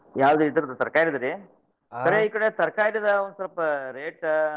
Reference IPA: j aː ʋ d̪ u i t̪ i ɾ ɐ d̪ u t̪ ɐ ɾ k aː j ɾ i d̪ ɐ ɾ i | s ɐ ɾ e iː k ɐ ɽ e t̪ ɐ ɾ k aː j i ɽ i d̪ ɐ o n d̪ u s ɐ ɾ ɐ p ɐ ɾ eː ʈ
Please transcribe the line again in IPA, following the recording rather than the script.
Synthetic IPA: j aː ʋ d̪ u i t̪ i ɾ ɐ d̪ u t̪ ɐ ɾ k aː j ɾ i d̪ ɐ ɾ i | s ɐ ɾ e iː k ɐ ɽ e t̪ ɐ ɾ k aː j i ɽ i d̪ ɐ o n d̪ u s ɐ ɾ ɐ p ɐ ɾ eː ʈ